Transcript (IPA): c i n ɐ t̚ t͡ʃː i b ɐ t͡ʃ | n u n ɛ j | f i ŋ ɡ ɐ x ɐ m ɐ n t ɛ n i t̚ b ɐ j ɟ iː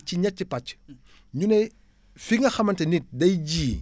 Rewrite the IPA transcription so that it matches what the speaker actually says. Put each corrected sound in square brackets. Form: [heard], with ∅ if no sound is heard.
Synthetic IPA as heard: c i [ɲ] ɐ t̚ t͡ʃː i [p] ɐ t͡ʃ | [ɲ] u n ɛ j | f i ŋ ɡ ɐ x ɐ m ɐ n t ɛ n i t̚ [d] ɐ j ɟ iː